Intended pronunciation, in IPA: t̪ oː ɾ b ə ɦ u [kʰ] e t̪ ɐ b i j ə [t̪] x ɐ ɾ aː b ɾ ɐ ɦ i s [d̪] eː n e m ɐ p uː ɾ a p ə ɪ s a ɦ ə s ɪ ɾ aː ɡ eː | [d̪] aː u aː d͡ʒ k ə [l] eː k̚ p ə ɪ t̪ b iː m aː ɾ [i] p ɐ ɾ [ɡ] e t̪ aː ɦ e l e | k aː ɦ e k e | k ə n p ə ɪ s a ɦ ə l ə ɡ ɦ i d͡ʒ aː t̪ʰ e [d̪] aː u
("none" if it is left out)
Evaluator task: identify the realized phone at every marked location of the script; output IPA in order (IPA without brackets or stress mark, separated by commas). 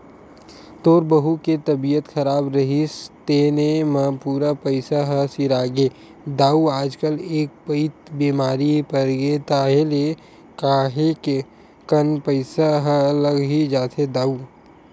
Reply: k, t̪, t̪, d̪, l, i, ɡ, d̪